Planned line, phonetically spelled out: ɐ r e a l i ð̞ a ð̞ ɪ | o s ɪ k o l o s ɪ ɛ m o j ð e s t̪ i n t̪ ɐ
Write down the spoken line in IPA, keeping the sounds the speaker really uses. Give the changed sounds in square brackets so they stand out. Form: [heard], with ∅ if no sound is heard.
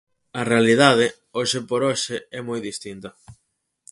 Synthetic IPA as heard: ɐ r e a l i ð̞ a ð̞ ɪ | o [ʃ] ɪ [p] o [ɾ] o [ʃ] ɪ ɛ m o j ð [i] s t̪ i n t̪ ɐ